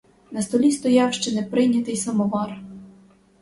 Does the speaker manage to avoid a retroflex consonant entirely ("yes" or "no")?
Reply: yes